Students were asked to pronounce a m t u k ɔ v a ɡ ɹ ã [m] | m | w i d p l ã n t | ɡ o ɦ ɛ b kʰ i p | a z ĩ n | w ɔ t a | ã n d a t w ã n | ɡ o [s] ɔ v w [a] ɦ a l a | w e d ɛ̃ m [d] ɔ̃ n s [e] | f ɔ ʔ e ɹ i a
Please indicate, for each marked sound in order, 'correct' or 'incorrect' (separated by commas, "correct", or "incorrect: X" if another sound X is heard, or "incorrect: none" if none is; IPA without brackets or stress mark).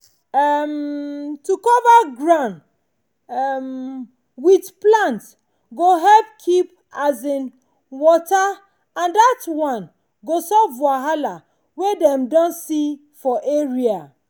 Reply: incorrect: n, correct, correct, correct, incorrect: i